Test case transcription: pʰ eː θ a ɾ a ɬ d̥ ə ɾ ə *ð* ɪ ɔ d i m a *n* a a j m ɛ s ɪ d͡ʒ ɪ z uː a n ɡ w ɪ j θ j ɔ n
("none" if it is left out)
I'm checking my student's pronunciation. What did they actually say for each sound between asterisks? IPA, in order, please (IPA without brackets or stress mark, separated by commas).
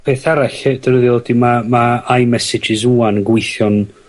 ð, m